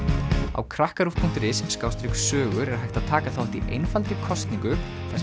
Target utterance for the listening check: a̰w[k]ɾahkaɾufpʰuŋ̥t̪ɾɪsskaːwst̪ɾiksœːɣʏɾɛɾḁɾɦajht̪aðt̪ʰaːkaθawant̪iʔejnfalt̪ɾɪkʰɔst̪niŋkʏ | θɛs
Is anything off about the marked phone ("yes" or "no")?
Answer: yes